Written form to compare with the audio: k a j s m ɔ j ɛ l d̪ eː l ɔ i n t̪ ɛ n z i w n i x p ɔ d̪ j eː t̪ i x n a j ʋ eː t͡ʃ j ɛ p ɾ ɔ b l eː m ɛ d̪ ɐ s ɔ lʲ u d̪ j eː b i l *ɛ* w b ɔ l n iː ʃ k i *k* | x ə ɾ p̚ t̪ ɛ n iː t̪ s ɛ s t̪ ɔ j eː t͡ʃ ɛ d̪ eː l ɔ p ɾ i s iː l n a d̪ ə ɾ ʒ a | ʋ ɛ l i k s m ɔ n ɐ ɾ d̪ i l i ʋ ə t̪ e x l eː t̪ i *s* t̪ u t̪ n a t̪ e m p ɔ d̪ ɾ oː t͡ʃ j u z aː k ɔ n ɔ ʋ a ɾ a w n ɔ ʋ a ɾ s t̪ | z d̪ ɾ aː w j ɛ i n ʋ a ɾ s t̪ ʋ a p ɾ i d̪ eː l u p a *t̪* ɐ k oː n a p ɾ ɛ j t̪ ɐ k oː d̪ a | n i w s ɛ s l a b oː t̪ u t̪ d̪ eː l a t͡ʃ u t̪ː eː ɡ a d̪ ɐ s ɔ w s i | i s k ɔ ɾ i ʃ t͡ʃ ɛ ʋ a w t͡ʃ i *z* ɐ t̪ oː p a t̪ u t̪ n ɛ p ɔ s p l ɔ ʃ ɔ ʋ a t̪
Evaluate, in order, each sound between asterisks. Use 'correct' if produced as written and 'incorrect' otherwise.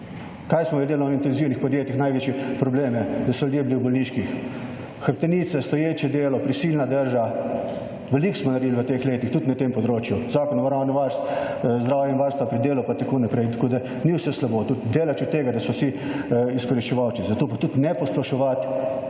incorrect, incorrect, incorrect, correct, correct

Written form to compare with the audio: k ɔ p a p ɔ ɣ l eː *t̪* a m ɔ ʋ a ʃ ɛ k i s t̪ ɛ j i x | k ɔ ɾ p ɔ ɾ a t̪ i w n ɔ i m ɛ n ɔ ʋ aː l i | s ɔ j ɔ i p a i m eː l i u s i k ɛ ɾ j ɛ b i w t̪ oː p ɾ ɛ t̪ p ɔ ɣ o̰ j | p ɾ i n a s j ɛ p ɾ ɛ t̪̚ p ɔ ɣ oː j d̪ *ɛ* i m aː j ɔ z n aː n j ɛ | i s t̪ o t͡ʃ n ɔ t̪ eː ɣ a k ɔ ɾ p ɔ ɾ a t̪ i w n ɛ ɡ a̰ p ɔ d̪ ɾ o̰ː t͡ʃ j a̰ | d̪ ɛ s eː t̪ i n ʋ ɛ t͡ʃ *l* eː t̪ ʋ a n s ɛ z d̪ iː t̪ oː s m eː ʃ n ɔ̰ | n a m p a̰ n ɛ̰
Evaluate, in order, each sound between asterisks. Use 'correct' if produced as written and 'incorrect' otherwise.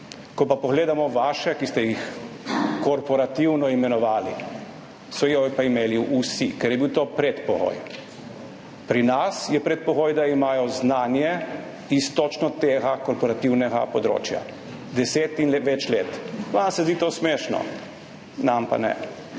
incorrect, incorrect, correct

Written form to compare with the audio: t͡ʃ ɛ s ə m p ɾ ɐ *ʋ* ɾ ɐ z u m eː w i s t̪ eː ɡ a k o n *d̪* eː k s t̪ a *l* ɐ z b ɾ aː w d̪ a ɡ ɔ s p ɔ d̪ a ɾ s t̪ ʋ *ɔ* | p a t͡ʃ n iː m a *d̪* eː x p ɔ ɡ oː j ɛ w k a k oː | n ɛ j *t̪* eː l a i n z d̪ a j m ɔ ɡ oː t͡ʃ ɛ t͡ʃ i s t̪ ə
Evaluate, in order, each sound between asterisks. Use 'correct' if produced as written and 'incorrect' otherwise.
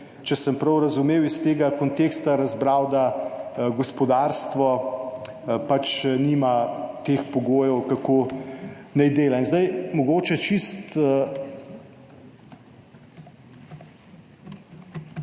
incorrect, incorrect, incorrect, correct, incorrect, incorrect

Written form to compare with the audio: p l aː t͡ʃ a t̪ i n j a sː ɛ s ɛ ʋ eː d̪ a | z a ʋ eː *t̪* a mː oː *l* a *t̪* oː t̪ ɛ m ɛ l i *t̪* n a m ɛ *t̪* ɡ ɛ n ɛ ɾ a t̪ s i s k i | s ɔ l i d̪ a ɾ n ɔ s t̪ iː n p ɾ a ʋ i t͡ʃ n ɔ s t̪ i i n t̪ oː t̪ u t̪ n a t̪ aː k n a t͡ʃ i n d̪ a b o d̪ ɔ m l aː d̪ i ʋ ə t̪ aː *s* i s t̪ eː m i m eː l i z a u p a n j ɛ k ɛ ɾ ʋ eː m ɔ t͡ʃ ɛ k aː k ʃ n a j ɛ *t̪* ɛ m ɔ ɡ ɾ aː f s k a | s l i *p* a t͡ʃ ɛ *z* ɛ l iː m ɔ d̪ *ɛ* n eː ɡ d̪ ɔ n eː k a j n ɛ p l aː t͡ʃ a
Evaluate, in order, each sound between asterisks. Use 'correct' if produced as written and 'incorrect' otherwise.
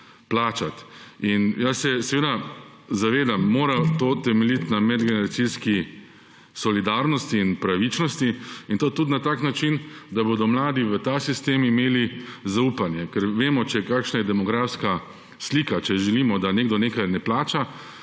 incorrect, incorrect, correct, correct, incorrect, correct, incorrect, incorrect, incorrect, incorrect

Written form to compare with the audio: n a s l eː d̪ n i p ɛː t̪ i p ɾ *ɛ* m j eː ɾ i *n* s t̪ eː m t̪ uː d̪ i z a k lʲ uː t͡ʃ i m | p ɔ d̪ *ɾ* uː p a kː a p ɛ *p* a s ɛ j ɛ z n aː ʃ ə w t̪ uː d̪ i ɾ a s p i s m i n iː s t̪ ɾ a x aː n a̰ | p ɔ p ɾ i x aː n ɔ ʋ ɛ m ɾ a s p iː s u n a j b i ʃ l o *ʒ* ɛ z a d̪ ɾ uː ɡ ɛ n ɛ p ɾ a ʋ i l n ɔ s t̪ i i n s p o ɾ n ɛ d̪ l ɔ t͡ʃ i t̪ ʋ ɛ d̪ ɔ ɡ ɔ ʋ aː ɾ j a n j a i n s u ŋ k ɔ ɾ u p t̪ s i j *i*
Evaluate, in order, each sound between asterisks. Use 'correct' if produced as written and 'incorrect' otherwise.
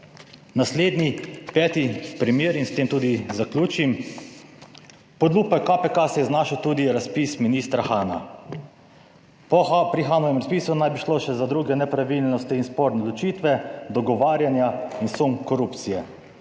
incorrect, correct, incorrect, incorrect, incorrect, incorrect

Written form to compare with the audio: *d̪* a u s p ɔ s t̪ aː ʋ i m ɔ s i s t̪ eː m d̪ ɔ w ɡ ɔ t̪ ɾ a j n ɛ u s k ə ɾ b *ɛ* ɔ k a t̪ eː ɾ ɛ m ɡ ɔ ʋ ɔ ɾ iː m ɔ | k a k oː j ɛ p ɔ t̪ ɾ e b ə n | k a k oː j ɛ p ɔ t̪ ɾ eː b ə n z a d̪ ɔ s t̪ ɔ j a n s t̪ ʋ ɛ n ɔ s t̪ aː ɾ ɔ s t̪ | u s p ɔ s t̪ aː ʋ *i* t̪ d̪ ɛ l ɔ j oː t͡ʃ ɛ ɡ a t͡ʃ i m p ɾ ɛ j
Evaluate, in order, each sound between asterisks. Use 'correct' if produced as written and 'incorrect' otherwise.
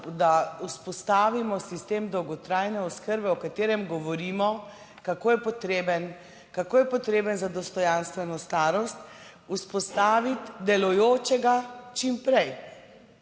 correct, correct, correct

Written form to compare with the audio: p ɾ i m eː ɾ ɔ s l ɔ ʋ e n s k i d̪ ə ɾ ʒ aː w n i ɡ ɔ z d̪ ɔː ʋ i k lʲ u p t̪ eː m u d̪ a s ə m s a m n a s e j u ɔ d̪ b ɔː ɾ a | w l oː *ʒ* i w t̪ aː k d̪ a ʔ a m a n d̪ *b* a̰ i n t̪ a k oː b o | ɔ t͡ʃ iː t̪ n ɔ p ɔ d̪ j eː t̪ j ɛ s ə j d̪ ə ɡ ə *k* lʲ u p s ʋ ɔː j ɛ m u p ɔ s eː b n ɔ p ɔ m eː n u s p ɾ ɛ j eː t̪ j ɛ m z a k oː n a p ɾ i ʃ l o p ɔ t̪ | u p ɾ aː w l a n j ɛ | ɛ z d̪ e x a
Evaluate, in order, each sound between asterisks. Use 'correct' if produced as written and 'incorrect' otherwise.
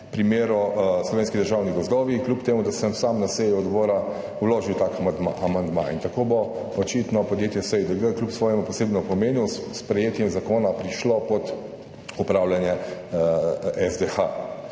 correct, incorrect, correct

